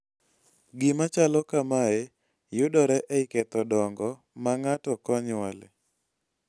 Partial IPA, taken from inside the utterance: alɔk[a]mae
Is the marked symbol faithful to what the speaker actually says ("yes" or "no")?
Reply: yes